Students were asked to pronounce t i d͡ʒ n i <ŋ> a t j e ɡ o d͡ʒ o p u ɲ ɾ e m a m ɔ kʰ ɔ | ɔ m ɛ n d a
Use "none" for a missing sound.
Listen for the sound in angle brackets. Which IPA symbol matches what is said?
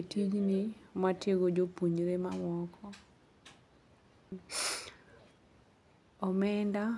m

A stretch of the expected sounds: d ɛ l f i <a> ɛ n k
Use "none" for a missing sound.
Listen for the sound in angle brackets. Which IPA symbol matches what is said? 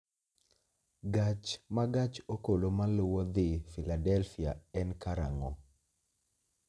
a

